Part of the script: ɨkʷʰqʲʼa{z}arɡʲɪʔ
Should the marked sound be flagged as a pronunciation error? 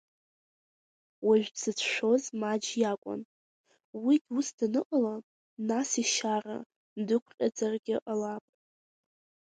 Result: yes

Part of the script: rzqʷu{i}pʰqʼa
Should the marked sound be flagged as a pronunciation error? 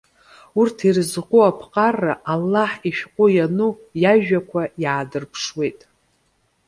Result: yes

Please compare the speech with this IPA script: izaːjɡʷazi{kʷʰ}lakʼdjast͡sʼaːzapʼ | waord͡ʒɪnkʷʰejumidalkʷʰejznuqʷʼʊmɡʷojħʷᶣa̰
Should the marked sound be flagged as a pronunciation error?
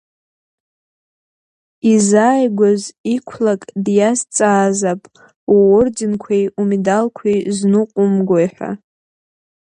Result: no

